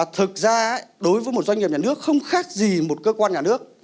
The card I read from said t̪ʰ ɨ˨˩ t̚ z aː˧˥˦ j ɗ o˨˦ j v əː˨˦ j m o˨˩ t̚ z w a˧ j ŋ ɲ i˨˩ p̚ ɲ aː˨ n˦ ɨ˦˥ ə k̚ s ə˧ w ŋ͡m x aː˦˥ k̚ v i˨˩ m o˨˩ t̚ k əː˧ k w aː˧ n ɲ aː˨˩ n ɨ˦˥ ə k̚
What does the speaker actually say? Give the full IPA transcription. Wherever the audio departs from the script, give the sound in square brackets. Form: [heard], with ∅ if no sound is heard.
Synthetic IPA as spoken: t̪ʰ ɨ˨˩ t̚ z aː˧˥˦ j ɗ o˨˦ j v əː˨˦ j m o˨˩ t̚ z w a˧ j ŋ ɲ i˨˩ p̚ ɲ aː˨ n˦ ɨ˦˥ ə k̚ [x] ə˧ w ŋ͡m x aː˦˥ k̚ [z] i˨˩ m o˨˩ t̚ k əː˧ k w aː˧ n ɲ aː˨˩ n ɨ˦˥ ə k̚